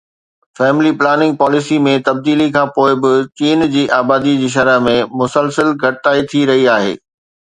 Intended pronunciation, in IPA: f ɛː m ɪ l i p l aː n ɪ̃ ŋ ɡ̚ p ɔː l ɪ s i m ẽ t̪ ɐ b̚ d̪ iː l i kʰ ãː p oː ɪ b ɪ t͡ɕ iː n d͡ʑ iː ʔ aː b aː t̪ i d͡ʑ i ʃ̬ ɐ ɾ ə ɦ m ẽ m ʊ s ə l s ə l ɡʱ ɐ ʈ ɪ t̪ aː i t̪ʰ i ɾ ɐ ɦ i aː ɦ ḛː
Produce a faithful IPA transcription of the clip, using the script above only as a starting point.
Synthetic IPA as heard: f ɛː m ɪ l i p l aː n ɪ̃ ŋ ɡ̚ p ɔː l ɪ s i m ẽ t̪ ɐ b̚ d̪ iː l i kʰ ãː p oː ɪ b ɪ t͡ɕ iː n d͡ʑ iː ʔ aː b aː d̪ i d͡ʑ iː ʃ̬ ɐ ɾ ə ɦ m ẽ m ʊ s ə l s ə l ɡʱ ɐ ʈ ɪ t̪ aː i t̪ʰ i ɾ ɐ ɦ i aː ɦ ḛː